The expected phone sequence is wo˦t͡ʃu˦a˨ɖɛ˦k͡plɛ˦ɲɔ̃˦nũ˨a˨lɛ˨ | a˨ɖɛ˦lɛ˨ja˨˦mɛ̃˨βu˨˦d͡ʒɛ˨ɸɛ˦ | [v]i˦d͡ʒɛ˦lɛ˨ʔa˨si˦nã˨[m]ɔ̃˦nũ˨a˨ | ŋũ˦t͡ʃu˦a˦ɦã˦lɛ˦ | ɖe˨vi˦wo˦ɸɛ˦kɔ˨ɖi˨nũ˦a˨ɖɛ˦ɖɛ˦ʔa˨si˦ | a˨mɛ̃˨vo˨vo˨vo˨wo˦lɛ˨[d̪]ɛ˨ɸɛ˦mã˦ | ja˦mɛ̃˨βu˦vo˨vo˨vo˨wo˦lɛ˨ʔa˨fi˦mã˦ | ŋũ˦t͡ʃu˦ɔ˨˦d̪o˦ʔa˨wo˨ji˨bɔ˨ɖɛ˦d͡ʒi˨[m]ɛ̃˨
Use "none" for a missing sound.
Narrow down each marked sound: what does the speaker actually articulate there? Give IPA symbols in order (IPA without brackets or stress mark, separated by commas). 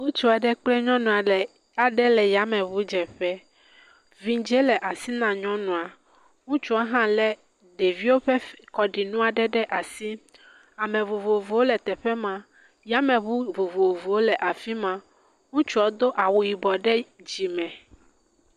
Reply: v, ɲ, t̪, m